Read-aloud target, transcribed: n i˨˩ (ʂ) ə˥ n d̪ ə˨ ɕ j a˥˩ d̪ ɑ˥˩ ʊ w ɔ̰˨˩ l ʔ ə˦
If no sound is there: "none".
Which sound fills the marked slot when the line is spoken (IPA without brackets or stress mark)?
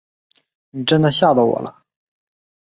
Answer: ʈ͡ʂ